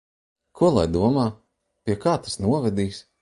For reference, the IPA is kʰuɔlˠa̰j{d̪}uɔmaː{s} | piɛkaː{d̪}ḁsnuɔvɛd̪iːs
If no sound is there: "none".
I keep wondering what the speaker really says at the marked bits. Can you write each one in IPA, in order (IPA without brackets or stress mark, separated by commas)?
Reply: d̪, none, t̪